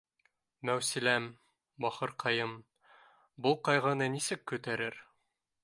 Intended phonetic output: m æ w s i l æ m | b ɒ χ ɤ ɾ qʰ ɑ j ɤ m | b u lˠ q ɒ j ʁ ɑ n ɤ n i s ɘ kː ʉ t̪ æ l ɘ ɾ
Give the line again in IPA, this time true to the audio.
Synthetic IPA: m æ w s i l æ m | b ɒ χ ɤ ɾ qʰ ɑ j ɤ m | b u lˠ q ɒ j ʁ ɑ n ɤ n i s ɘ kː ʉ t̪ æ ɾ ɘ ɾ

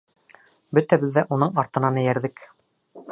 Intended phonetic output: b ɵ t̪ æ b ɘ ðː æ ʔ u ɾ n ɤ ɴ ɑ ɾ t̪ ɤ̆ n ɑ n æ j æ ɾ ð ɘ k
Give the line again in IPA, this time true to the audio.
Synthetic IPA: b ɵ t̪ æ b ɘ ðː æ ʔ u n ɤ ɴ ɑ ɾ t̪ ɤ̆ n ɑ n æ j æ ɾ ð ɘ k

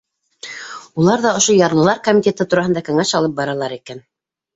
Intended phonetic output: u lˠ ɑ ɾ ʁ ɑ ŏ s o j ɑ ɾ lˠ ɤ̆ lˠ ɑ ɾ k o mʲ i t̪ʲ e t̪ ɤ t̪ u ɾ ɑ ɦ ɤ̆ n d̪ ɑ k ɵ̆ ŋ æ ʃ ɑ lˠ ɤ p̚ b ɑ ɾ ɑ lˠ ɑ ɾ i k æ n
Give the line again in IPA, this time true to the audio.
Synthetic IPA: u lˠ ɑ ɾ ð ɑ ŏ ʃ o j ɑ ɾ lˠ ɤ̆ lˠ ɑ ɾ k o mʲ i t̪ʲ e t̪ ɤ t̪ u ɾ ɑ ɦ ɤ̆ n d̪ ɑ k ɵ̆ ŋ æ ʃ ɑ lˠ ɤ p̚ b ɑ ɾ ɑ lˠ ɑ ɾ i k æ n

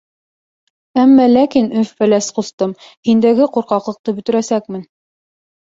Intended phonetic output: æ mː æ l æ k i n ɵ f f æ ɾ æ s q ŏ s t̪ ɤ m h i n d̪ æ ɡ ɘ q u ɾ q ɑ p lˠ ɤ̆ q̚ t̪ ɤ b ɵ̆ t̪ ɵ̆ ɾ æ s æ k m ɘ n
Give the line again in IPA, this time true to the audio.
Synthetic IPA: æ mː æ l æ k i n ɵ f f æ l æ s q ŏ s t̪ ɤ m h i n d̪ æ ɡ ɘ q u ɾ q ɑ q lˠ ɤ̆ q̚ t̪ ɤ b ɵ̆ t̪ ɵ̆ ɾ æ s æ k m ɘ n

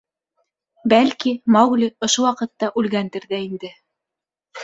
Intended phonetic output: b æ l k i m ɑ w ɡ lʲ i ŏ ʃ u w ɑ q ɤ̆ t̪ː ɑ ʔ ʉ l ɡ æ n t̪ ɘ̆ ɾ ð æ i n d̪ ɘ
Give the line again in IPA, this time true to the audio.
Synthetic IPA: b æ l k i m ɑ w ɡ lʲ i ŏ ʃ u w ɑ q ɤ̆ t̪ː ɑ ʔ ʉ l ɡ æ n t̪ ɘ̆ ɾ ð æ i n d̪ ɘ

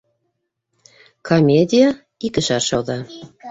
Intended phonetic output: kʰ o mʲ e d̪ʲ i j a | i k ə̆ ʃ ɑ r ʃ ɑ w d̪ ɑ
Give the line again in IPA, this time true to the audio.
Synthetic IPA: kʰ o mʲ e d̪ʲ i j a | i k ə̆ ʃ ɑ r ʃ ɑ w d̪ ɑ

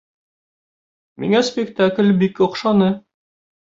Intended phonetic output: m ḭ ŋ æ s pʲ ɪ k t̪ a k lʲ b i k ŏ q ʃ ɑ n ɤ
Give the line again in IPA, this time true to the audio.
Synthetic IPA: m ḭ ŋ æ s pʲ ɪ k t̪ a k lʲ b i k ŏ q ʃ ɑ n ɤ

